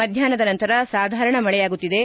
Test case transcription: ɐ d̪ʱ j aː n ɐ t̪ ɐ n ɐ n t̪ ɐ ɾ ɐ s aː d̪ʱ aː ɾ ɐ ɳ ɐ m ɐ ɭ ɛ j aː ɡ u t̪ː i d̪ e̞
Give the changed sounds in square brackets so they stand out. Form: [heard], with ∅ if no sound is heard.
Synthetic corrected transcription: ɐ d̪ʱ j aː n ɐ [d̪] ɐ n ɐ n t̪ ɐ ɾ ɐ s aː d̪ʱ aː ɾ ɐ ɳ ɐ m ɐ ɭ ɛ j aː ɡ u t̪ː i d̪ e̞